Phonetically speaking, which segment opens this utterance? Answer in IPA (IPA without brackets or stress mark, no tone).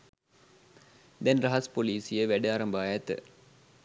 d̪